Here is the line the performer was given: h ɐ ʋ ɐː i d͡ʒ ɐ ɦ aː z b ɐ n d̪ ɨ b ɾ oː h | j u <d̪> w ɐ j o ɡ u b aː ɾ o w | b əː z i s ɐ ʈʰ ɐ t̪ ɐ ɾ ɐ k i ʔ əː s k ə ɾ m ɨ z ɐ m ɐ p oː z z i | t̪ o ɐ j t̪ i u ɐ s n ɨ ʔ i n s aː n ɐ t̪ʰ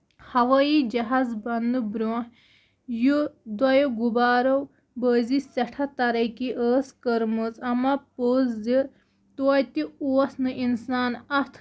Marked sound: correct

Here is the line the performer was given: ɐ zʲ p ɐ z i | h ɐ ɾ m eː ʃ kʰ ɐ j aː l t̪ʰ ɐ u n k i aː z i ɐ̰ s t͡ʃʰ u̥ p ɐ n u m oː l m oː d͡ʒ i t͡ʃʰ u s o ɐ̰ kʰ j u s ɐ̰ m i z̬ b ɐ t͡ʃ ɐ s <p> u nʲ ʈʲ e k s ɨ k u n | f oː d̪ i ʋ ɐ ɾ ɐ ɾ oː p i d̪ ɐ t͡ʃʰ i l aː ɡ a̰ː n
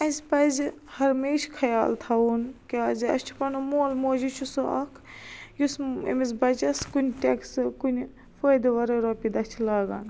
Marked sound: incorrect: k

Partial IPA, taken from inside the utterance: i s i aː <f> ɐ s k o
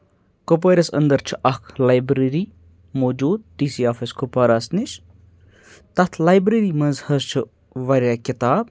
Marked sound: correct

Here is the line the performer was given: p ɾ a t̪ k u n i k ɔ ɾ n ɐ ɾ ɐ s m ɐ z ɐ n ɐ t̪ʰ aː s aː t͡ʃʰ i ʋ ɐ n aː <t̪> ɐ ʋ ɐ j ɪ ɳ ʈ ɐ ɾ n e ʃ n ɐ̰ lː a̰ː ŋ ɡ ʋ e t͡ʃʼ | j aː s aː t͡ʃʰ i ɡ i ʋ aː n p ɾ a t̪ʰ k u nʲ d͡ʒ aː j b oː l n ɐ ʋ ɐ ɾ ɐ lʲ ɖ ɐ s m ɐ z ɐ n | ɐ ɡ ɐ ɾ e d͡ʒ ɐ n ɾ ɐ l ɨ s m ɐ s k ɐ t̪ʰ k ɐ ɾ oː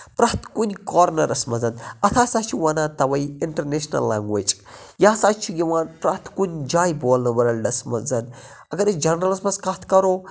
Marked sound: correct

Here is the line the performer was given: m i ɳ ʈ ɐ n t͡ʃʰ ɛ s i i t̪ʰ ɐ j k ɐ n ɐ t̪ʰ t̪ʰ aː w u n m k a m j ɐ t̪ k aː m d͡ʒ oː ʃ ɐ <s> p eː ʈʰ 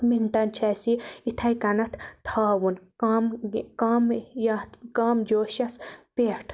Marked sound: correct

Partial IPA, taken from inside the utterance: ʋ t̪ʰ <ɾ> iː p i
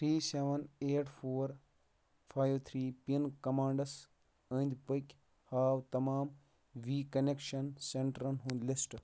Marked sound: correct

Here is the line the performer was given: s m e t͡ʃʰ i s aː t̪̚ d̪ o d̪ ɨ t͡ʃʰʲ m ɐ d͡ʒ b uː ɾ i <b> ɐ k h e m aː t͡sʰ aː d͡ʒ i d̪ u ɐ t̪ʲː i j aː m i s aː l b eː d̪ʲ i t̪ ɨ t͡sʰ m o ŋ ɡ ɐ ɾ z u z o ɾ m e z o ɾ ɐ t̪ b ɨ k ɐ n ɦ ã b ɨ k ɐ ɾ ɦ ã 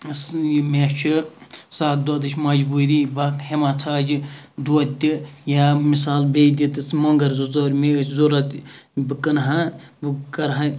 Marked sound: correct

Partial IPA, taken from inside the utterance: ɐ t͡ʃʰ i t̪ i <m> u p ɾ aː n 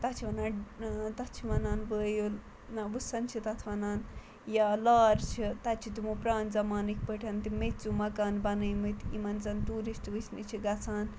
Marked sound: correct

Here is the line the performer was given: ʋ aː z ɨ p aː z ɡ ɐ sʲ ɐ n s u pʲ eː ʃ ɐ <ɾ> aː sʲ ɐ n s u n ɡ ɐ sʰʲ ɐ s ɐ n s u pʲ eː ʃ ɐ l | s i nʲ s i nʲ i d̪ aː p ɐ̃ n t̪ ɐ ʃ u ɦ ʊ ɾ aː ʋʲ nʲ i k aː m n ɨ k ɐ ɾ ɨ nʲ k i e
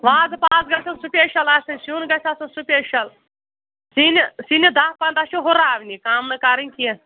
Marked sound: incorrect: l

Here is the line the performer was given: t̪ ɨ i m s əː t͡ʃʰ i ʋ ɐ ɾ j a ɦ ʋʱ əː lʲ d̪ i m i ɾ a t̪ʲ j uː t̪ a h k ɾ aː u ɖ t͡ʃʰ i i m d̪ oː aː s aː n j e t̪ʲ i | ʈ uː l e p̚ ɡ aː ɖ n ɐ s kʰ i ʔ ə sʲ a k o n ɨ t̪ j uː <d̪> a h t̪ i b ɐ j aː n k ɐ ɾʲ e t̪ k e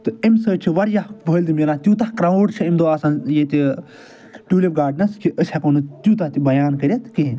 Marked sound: incorrect: t̪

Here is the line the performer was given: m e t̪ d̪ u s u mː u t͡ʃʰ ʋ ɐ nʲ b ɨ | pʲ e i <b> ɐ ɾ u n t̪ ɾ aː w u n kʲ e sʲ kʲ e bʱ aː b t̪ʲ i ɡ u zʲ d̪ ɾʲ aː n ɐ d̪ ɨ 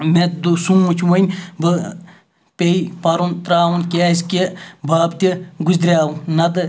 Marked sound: incorrect: p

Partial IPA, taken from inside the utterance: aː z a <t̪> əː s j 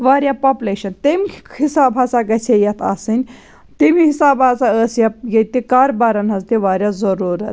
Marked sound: incorrect: none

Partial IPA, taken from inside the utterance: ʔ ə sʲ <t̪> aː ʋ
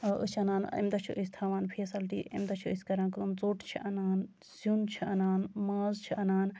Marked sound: incorrect: t̪ʰ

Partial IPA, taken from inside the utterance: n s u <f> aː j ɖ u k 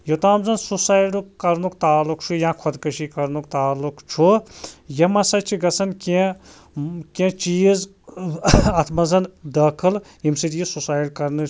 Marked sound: incorrect: s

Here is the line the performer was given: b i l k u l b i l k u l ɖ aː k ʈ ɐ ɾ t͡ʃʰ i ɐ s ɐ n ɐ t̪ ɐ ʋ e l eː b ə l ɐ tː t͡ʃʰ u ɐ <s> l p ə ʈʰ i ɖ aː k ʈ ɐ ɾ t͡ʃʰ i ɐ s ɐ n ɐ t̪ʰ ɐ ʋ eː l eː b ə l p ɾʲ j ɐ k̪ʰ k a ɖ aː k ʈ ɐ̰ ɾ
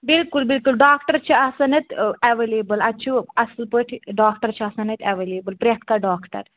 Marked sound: correct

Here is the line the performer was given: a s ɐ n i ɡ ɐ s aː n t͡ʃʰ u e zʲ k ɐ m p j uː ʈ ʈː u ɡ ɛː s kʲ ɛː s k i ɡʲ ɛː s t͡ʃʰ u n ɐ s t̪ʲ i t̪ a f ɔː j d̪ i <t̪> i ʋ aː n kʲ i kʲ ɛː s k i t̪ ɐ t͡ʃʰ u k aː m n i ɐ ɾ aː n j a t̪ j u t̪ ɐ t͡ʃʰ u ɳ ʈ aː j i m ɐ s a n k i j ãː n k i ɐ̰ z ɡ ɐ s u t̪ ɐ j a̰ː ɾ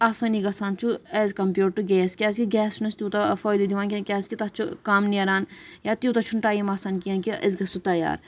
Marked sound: incorrect: d̪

